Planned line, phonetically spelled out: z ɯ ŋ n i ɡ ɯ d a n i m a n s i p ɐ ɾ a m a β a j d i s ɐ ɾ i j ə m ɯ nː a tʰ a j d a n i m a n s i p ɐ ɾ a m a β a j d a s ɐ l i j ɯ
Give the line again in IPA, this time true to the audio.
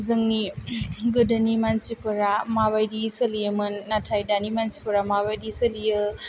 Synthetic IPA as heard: z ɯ ŋ n i ɡ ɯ d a n i m a n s i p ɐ ɾ a m a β a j d i s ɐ l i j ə m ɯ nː a tʰ a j d a n i m a n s i p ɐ ɾ a m a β a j d i s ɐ l i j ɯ